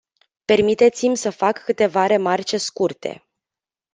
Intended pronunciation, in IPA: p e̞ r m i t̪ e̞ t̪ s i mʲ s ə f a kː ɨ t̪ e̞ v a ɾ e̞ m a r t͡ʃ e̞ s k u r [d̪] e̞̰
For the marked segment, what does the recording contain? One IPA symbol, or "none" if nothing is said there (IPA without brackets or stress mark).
t̪